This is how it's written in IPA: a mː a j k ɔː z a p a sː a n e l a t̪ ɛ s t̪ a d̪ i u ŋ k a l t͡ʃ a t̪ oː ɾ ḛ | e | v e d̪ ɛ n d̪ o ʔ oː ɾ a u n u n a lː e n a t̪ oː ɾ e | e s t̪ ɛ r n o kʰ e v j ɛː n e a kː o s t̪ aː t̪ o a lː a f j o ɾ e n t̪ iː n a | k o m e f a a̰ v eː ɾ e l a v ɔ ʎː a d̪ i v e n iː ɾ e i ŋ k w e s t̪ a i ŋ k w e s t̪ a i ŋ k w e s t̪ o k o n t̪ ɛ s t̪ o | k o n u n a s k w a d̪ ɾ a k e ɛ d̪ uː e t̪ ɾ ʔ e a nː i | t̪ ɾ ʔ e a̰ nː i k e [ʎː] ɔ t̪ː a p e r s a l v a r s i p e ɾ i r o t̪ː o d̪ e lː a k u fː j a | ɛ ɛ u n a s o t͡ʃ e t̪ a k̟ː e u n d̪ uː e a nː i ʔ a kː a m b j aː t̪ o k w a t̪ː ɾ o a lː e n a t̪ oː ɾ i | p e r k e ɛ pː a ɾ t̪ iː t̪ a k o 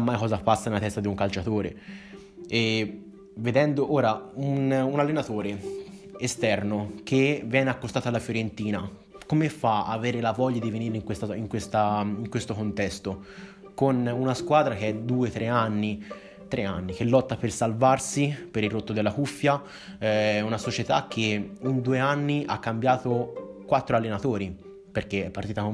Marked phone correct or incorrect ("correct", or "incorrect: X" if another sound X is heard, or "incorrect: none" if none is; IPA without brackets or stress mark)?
incorrect: lː